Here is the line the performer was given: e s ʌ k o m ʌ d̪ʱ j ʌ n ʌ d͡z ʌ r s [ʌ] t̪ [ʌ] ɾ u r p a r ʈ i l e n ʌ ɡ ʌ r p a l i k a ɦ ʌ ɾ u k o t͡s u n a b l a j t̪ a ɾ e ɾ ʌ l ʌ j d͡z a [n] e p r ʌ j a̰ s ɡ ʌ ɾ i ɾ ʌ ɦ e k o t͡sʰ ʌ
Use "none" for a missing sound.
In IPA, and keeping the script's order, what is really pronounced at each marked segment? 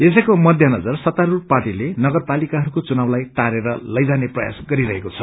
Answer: ʌ, a, n

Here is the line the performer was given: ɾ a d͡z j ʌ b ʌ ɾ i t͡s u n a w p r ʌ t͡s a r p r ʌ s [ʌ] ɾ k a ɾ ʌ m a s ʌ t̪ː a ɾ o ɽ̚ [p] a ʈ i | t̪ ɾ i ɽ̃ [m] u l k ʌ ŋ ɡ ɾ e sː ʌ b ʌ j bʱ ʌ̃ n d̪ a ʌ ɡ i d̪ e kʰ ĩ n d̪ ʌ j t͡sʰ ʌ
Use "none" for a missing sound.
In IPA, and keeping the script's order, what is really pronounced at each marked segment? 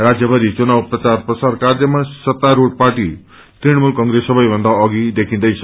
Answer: a, p, m

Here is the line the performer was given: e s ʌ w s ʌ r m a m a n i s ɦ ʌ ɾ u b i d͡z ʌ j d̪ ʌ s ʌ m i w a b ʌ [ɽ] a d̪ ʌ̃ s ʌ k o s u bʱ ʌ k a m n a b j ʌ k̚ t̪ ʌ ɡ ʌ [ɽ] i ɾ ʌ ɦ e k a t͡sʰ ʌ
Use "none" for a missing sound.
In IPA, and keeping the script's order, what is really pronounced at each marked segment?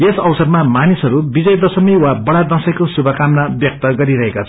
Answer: ɽ, ɾ

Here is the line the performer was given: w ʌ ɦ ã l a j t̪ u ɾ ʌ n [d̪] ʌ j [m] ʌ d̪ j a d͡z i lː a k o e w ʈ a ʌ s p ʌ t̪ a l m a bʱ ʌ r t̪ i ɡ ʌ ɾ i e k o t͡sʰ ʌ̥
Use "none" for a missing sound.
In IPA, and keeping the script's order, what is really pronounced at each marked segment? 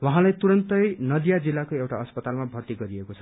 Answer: t̪, n

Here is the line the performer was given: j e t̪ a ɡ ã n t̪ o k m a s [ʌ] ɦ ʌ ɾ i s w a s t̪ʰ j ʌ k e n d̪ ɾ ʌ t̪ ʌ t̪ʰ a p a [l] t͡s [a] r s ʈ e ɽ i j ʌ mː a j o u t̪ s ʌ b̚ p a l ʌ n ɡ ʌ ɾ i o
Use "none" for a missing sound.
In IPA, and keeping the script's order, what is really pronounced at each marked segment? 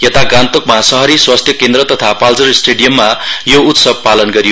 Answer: ʌ, l, ʌ

